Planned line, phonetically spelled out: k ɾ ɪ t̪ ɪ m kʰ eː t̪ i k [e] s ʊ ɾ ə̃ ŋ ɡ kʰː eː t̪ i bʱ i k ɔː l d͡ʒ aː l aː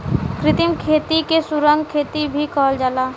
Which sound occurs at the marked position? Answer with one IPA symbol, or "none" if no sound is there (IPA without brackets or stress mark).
e